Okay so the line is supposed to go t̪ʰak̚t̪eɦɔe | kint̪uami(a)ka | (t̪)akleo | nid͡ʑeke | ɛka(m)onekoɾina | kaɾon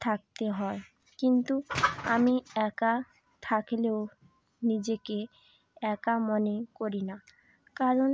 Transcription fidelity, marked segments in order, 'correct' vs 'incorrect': incorrect, incorrect, correct

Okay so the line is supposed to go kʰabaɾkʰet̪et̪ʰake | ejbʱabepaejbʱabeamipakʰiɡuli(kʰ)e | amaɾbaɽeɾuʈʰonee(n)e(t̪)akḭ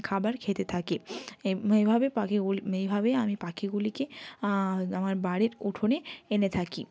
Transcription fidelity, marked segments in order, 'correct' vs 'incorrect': incorrect, correct, incorrect

